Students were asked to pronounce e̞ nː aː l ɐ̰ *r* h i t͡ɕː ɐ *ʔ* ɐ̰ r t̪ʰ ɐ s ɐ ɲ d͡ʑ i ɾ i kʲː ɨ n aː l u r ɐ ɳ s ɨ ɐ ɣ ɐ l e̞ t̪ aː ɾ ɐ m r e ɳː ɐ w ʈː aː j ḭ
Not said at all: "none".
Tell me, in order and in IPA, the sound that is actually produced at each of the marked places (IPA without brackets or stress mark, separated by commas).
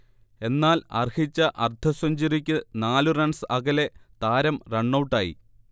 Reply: r, ʔ